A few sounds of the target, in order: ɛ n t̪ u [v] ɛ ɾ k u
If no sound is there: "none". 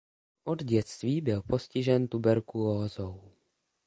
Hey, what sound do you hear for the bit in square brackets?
b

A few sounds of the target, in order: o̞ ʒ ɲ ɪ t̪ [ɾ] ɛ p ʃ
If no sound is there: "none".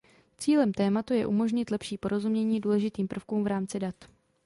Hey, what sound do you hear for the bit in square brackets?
l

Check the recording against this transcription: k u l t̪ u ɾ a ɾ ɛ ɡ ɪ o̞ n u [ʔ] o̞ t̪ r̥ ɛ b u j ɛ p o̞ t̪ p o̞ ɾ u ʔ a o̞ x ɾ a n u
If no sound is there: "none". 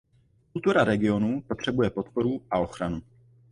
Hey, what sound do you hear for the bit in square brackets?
p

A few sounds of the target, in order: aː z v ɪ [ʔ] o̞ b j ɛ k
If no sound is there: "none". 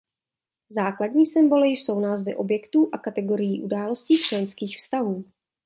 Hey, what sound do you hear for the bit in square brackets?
ʔ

